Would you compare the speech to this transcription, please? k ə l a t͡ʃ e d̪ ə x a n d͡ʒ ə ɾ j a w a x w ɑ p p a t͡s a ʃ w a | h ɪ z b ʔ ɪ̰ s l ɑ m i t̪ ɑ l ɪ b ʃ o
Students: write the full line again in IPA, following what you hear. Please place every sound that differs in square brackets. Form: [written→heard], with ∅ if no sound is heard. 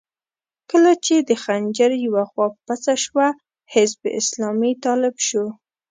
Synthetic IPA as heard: k ə l a t͡ʃ e d̪ ə x a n d͡ʒ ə ɾ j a w a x w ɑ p p a t͡s a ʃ w a | h ɪ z b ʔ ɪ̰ s l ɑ m i t̪ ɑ l ɪ b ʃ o